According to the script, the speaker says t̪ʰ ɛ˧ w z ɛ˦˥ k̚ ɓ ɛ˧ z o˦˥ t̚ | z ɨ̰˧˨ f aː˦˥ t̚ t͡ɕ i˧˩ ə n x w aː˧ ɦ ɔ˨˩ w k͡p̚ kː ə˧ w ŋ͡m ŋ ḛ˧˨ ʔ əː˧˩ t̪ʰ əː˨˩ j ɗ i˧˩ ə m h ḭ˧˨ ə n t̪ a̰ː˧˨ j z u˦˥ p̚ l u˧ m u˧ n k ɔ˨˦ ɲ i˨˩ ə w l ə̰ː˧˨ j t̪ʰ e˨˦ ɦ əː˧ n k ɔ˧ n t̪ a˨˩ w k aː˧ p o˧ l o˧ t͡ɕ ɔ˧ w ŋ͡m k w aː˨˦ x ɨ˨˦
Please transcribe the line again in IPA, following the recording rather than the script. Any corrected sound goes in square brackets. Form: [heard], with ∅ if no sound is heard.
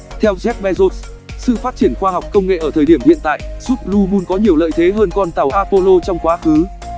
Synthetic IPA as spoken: t̪ʰ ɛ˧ w z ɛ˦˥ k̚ ɓ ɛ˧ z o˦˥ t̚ | [s] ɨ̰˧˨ f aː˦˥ t̚ t͡ɕ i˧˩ ə n x w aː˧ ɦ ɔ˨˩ w k͡p̚ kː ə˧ w ŋ͡m ŋ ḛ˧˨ ʔ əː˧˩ t̪ʰ əː˨˩ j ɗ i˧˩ ə m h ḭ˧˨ ə n t̪ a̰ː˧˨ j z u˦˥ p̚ l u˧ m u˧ n k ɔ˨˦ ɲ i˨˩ ə w l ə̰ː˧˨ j t̪ʰ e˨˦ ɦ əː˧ n k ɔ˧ n t̪ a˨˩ w [ʔ] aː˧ p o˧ l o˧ t͡ɕ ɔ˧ w ŋ͡m k w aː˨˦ x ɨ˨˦